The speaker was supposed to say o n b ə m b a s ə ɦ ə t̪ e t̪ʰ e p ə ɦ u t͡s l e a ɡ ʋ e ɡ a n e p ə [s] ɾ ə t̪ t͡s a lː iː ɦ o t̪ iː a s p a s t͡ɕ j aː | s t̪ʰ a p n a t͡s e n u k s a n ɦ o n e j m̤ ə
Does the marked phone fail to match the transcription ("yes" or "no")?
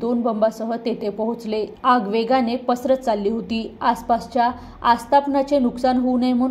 no